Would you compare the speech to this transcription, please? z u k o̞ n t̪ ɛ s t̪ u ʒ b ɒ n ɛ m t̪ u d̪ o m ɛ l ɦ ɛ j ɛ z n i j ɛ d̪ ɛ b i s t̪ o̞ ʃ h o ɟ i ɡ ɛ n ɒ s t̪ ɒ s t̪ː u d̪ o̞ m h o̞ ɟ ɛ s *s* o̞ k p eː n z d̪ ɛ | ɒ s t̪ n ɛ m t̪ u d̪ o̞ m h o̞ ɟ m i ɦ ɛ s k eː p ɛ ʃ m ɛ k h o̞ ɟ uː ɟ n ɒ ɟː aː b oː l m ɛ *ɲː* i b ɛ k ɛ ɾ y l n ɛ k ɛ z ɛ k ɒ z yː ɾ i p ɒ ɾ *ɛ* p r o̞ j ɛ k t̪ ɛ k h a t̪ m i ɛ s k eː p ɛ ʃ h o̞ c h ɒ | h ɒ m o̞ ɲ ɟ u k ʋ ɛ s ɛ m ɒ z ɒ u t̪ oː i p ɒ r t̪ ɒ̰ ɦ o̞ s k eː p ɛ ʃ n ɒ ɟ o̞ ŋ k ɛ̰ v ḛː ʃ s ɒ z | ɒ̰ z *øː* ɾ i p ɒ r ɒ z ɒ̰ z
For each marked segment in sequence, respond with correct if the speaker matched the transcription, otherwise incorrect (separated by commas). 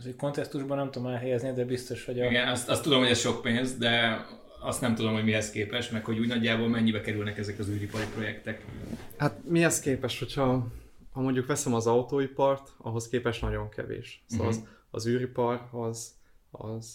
incorrect, correct, incorrect, incorrect